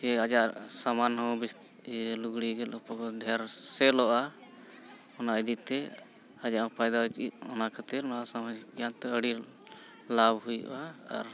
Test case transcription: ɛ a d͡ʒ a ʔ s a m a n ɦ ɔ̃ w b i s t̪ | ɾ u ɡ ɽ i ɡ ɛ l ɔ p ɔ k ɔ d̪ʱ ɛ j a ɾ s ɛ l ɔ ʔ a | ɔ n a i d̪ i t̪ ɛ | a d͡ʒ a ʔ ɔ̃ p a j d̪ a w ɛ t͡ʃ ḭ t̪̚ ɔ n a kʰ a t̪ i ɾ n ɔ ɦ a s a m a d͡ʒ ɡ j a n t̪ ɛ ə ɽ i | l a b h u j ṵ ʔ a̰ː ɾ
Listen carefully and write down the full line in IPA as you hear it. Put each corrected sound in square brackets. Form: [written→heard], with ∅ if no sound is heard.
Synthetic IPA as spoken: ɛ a d͡ʒ a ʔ s a m a n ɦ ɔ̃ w b i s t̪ | [ɾ→l] u ɡ ɽ i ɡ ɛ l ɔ p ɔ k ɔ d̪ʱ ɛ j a ɾ s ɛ l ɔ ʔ a | ɔ n a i d̪ i t̪ ɛ | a d͡ʒ a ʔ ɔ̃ p a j d̪ a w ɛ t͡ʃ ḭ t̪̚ ɔ n a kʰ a t̪ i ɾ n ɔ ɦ a s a m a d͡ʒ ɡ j a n t̪ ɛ ə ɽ i | l a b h u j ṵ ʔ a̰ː ɾ